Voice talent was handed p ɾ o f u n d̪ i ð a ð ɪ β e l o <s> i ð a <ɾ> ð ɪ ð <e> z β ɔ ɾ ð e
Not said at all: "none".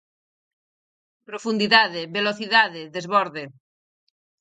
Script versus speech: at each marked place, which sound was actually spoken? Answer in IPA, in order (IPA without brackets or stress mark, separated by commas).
θ, none, e